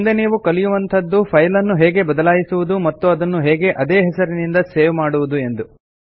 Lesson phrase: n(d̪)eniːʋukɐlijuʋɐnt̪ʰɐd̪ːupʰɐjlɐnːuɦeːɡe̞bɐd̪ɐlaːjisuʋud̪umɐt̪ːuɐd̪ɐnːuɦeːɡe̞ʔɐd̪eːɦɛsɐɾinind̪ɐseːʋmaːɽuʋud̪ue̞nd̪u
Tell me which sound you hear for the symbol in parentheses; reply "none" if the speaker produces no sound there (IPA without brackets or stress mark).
d̪